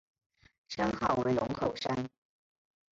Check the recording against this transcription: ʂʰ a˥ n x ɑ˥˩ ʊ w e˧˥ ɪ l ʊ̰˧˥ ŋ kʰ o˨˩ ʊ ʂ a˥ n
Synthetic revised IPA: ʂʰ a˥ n x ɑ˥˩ ʊ w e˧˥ ɪ l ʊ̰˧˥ ŋ kʰ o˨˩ ʊ ʂ a˥ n